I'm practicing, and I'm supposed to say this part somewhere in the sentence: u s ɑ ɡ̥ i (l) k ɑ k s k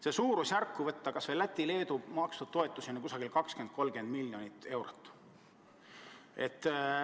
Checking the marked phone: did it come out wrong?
no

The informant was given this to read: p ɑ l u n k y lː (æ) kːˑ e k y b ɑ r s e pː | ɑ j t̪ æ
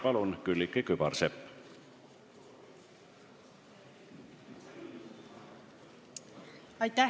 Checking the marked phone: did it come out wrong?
yes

